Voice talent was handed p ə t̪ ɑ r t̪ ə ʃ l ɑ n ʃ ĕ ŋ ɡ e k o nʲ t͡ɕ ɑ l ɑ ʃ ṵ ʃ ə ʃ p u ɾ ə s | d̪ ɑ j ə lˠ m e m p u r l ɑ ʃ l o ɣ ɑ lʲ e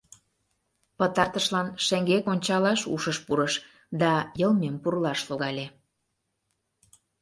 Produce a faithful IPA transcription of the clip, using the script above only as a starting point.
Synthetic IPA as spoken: p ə t̪ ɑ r t̪ ə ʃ l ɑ n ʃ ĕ ŋ ɡ e k o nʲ t͡ɕ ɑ l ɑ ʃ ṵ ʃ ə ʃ p u ɾ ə ʃ | d̪ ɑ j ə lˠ m e m p u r l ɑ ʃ l o ɣ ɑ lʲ e